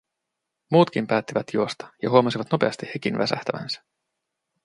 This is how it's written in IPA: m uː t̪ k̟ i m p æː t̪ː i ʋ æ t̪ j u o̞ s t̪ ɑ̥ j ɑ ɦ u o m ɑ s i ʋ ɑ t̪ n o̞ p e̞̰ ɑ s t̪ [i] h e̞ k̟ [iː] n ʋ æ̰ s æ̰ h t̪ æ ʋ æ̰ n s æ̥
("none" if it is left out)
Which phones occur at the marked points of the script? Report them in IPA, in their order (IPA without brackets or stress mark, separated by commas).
i, i